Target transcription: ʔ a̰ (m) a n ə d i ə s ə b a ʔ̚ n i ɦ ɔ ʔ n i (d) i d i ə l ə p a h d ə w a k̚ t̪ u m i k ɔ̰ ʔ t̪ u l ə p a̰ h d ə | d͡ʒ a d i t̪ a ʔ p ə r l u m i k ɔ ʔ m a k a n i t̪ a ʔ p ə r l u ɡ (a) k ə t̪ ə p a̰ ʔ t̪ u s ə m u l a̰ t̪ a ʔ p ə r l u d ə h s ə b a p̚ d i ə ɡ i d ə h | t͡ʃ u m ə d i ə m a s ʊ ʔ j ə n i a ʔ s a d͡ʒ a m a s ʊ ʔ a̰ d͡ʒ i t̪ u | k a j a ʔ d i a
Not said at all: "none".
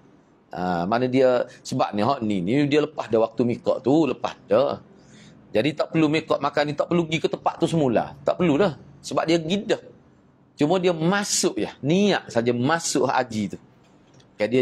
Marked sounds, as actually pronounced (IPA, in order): m, n, i

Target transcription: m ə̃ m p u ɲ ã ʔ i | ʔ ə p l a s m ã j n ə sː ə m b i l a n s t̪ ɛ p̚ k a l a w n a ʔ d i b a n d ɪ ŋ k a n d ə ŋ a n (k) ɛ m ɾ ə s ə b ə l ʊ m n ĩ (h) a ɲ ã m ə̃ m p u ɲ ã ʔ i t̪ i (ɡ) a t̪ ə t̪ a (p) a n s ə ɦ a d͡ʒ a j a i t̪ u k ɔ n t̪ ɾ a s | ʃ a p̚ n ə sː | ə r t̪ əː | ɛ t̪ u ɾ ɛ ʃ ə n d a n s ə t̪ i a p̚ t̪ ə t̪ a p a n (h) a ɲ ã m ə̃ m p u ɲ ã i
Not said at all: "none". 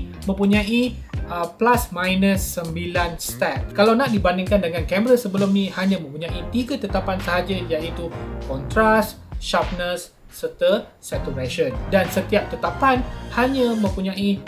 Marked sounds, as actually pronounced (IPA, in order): k, h, ɡ, p, h

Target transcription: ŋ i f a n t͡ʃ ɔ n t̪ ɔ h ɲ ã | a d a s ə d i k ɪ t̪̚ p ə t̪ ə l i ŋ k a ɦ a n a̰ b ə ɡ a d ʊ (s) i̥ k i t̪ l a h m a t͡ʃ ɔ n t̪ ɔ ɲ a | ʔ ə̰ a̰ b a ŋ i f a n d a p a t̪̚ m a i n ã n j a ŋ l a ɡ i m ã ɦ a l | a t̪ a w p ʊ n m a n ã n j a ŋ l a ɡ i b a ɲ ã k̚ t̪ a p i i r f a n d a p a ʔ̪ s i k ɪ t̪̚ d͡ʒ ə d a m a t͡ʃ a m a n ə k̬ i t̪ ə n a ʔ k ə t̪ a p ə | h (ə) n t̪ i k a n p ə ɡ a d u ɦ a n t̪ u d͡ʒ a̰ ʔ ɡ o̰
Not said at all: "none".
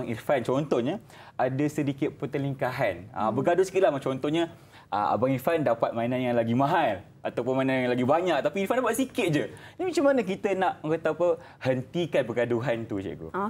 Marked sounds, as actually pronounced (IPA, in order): s, ə

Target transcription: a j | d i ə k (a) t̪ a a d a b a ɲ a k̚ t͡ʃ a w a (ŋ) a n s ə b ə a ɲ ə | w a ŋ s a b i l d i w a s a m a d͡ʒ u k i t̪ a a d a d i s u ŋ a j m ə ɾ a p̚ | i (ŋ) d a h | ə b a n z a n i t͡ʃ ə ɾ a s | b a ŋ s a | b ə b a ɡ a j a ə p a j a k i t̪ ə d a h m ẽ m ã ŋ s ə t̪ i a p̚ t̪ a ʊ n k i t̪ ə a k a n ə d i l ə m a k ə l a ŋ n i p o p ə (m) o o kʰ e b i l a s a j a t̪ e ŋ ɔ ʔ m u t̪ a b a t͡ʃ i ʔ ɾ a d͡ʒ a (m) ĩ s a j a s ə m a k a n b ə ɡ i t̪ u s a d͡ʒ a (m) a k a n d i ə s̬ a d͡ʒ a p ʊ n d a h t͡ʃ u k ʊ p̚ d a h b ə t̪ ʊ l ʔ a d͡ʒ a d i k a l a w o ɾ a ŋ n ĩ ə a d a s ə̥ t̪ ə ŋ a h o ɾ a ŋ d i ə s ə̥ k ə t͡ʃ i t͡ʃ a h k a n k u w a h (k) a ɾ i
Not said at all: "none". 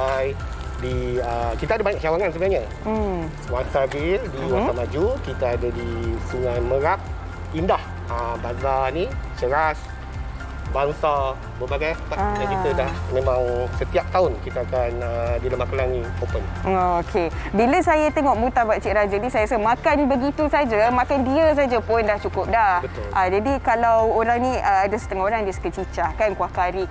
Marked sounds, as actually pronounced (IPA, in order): i, ŋ, n, n, n, m, k

